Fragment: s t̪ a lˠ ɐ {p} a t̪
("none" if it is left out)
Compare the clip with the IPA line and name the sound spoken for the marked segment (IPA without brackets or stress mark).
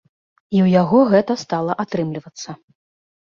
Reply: ʔ